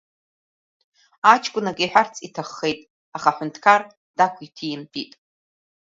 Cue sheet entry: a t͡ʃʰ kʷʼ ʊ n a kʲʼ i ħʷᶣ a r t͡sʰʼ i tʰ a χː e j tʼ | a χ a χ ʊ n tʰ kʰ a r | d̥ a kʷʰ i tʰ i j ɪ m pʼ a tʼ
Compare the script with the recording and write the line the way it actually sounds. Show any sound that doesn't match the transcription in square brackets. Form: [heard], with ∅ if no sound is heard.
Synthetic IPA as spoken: a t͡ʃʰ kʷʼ ʊ n a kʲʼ i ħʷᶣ a r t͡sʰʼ i tʰ a χː e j tʼ | a χ a [ħ] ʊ n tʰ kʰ a r | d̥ a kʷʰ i tʰ i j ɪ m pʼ [i] tʼ